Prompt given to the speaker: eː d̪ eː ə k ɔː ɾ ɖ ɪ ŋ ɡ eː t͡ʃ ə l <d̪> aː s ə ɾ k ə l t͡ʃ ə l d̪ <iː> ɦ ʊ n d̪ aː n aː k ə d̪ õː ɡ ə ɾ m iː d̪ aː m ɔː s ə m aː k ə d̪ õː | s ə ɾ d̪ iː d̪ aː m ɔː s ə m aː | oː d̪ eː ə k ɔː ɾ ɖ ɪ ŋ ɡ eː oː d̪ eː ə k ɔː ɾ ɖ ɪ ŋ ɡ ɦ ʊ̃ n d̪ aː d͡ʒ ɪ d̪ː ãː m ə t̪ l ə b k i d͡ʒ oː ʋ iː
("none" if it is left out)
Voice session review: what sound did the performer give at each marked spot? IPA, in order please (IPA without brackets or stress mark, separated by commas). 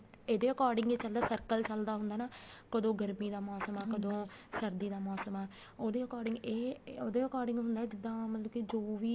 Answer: d̪, aː